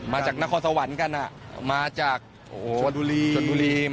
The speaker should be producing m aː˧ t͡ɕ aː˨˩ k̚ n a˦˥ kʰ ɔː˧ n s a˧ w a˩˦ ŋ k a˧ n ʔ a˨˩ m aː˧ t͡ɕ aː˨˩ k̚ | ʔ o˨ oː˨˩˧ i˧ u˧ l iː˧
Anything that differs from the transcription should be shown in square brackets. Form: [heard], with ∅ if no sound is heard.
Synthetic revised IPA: m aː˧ t͡ɕ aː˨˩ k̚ n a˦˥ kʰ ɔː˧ n s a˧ w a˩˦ [n] k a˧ n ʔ a˨˩ m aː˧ t͡ɕ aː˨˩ k̚ | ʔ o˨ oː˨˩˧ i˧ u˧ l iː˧